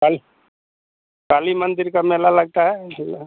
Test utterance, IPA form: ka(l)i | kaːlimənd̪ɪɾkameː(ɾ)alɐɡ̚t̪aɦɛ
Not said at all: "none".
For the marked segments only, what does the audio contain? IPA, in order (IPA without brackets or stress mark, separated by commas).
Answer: l, l